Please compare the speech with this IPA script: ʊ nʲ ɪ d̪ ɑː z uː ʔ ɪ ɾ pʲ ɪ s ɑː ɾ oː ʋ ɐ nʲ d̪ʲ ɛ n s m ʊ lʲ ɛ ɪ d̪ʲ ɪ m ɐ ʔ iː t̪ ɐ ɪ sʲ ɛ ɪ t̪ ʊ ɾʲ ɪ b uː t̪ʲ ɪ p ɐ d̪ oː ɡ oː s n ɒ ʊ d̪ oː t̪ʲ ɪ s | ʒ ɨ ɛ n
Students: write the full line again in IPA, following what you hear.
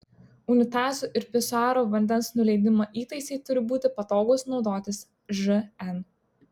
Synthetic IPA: ʊ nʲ ɪ t̪ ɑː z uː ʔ ɪ ɾ pʲ ɪ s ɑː ɾ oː ʋ ɐ nʲ d̪ʲ ɛ n s n ʊ lʲ ɛ ɪ d̪ʲ ɪ m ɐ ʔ iː t̪ ɐ ɪ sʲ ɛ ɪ t̪ ʊ ɾʲ ɪ b uː t̪ʲ ɪ p ɐ t̪ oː ɡ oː s n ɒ ʊ d̪ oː t̪ʲ ɪ s | ʒ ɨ ɛ n